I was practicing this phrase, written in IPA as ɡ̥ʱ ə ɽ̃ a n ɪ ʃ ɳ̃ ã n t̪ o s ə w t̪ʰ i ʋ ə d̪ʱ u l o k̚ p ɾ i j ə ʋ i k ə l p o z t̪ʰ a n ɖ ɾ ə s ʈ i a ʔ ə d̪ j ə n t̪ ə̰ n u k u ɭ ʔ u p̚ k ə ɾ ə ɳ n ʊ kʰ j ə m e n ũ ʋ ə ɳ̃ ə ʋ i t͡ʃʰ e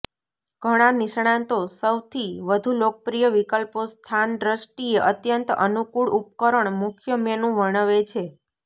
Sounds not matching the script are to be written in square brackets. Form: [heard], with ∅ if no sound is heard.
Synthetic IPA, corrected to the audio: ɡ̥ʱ ə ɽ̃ a n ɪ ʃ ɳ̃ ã n t̪ o s ə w t̪ʰ i ʋ ə d̪ʱ u l o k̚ p ɾ i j ə ʋ i k ə l p o [s] t̪ʰ a n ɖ ɾ ə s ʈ i [e] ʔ ə [t̪] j ə n t̪ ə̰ n u k u ɭ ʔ u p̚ k ə ɾ ə ɳ [m] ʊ kʰ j ə m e n ũ ʋ ə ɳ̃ ə ʋ [e] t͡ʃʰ e